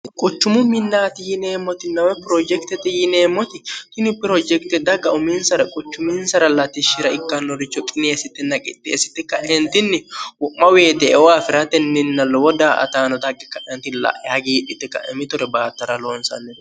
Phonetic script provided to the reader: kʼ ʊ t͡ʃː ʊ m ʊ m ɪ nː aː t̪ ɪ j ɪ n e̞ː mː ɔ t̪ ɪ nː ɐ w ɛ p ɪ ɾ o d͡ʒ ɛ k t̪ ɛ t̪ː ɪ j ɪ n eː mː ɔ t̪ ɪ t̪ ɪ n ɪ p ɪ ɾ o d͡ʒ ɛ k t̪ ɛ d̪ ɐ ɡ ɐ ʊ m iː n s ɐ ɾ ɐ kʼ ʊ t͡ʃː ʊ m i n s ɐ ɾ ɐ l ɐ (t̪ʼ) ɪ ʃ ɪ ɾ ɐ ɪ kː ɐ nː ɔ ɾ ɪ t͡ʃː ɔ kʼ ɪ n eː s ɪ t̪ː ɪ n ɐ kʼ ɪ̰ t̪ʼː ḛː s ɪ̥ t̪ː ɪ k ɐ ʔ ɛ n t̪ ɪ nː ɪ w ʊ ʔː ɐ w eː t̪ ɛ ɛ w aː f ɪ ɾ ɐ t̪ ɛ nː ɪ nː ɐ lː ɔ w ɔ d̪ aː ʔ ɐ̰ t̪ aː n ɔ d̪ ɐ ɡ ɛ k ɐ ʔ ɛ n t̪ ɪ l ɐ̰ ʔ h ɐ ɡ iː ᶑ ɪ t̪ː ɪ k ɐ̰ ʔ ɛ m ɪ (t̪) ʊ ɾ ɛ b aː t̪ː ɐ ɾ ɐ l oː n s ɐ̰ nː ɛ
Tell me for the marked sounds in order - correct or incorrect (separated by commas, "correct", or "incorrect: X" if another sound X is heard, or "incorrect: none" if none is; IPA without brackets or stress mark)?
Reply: incorrect: t̪, correct